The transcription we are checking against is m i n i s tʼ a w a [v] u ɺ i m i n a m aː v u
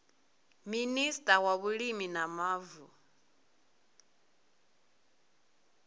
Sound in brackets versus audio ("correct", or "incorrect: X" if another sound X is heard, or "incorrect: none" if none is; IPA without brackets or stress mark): incorrect: β